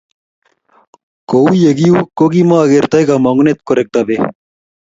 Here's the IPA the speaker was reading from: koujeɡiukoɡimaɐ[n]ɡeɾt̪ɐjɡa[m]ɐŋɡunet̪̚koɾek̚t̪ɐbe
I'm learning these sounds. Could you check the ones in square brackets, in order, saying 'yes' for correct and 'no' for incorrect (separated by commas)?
no, yes